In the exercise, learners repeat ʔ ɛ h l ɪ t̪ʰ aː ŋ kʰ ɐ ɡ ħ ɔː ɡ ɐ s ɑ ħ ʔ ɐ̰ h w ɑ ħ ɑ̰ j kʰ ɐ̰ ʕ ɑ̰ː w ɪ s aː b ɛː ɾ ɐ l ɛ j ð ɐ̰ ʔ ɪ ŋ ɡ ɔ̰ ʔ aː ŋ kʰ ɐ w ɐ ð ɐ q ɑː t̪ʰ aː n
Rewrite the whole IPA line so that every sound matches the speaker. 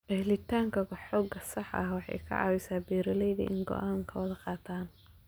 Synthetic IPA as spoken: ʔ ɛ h l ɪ t̪ʰ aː ŋ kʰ ɐ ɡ ħ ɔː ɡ ɐ s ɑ ħ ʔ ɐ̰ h w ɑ ħ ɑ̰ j kʰ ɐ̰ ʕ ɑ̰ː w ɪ s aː b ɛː ɾ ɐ l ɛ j ð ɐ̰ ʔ ɪ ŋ ɡ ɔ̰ ʔ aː ŋ kʰ ɐ w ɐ ð ɐ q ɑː t̪ʰ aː n